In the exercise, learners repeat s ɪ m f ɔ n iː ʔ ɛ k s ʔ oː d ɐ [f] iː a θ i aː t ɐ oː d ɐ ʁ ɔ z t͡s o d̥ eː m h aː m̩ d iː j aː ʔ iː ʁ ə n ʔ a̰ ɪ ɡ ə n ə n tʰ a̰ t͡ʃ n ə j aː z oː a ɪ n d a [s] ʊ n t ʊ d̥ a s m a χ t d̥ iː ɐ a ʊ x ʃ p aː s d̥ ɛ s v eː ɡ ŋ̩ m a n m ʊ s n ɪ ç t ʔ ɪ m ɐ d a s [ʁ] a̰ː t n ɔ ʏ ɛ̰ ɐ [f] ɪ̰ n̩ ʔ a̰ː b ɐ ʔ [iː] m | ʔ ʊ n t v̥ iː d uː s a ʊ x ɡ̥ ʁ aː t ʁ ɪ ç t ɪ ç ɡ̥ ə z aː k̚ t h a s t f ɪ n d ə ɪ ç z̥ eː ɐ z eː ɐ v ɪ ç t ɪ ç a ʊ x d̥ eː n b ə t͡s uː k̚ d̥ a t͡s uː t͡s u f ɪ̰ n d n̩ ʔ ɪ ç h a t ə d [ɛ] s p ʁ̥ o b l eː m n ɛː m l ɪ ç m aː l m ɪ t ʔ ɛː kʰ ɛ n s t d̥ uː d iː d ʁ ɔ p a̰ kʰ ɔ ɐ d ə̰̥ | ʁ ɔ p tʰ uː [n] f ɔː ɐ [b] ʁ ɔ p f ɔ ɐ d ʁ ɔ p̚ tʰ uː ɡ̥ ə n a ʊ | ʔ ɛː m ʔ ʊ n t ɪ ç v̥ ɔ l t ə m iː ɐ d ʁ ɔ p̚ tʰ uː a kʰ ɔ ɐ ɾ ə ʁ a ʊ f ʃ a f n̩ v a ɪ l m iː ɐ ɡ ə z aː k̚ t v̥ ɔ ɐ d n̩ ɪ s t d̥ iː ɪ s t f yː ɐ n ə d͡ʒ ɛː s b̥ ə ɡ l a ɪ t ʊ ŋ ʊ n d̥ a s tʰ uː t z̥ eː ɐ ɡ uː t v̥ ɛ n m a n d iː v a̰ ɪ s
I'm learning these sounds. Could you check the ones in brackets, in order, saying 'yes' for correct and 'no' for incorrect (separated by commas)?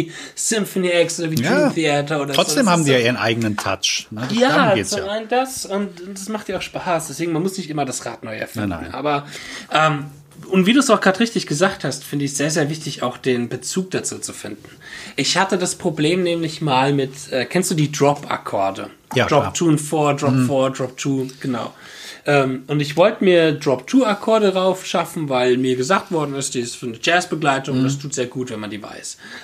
no, yes, yes, yes, no, no, yes, no